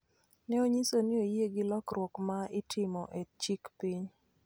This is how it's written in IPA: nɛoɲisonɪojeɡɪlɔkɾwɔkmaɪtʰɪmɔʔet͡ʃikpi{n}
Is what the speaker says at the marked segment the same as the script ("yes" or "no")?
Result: no